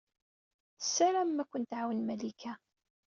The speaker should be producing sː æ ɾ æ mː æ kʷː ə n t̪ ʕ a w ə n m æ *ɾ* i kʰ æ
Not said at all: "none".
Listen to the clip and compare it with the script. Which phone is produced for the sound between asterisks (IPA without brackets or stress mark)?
l